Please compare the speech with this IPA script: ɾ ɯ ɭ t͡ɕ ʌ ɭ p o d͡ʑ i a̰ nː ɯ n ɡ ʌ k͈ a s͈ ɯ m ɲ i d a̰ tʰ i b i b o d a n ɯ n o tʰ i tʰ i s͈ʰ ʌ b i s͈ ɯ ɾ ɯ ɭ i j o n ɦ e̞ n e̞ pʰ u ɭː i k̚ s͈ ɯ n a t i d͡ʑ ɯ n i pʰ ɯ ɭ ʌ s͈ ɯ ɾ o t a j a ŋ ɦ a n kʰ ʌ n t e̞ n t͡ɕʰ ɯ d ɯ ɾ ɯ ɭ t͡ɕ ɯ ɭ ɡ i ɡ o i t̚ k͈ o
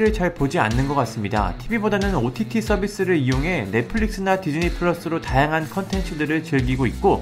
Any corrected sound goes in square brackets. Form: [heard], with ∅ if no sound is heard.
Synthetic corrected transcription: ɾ ɯ ɭ t͡ɕ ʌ ɭ p o d͡ʑ i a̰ nː ɯ n ɡ ʌ k͈ a s͈ ɯ m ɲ i d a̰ tʰ i b i b o d a n ɯ n o tʰ i tʰ i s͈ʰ ʌ b i s͈ ɯ ɾ ɯ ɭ i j o [ŋ] ɦ e̞ n e̞ pʰ [ɯ] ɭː i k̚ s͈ ɯ n a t i d͡ʑ ɯ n i pʰ ɯ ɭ ʌ s͈ ɯ ɾ o t a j a ŋ ɦ a n kʰ ʌ n [tʰ] e̞ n t͡ɕʰ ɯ d ɯ ɾ ɯ ɭ t͡ɕ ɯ ɭ ɡ i ɡ o i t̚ k͈ o